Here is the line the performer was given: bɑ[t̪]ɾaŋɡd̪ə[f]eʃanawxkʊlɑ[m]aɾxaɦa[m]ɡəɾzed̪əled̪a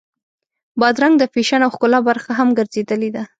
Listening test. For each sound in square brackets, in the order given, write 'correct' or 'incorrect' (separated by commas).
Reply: incorrect, correct, incorrect, correct